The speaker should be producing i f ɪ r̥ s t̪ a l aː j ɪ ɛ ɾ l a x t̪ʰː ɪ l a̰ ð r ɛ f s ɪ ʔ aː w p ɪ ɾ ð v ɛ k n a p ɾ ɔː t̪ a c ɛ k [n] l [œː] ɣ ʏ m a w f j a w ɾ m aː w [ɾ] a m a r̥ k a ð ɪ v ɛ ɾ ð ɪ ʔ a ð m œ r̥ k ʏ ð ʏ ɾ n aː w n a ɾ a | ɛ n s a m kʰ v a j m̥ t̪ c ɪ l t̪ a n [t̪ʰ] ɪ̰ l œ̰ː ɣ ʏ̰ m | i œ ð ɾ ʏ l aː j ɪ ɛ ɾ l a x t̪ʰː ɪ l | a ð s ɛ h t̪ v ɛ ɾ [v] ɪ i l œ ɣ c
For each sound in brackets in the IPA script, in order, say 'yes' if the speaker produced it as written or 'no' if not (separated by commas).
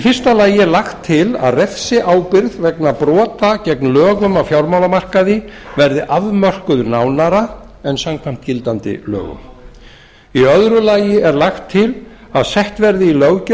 yes, yes, no, no, no